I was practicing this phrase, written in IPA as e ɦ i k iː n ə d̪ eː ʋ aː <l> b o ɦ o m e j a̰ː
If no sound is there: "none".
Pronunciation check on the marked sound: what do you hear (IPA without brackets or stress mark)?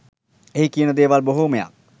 l